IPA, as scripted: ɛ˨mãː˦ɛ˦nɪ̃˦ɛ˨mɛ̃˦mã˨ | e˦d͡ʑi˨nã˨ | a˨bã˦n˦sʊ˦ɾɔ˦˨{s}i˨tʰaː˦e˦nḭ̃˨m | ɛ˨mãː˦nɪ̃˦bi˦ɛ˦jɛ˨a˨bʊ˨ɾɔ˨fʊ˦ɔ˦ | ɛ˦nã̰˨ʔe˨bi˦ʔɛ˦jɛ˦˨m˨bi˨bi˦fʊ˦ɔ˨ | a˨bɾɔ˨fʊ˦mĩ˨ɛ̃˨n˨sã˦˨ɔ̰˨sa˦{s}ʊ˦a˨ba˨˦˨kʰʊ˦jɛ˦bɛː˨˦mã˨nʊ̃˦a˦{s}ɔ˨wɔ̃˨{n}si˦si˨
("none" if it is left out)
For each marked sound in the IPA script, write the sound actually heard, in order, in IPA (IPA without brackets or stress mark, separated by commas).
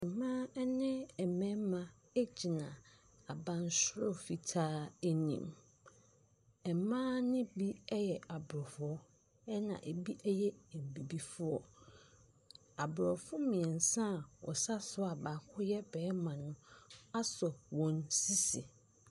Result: f, s, s, n